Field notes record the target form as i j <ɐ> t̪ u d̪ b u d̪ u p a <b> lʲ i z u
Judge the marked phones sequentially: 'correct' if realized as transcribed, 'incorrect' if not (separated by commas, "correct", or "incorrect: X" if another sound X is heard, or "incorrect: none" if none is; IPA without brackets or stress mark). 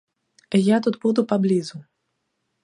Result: incorrect: a, correct